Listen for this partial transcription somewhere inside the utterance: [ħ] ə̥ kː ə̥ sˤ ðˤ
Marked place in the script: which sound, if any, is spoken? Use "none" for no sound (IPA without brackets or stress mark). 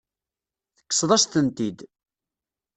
θ